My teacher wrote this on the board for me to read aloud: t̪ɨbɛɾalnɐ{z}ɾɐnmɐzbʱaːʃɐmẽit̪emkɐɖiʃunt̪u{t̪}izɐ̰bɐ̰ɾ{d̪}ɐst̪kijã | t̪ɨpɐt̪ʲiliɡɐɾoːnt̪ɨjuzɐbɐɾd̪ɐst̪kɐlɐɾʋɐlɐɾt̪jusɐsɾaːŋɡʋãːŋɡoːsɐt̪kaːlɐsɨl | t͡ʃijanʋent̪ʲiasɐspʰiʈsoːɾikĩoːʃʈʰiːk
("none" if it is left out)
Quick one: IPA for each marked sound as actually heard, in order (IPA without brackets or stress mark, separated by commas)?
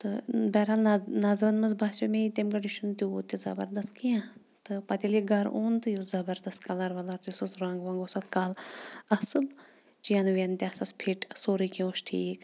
z, t̪, d̪